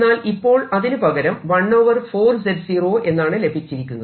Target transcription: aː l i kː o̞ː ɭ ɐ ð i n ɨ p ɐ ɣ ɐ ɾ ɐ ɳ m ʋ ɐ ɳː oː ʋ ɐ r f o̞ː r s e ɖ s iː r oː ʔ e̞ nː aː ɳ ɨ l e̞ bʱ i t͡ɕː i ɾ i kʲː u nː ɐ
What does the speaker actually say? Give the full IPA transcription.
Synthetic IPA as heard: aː l i pː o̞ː ɭ ɐ ð i n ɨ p ɐ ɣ ɐ ɾ ɐ m ʋ ɐ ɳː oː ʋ ɐ r f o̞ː r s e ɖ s iː r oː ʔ e̞ nː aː ɳ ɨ l e̞ bʱ i t͡ɕː i ɾ i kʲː u nː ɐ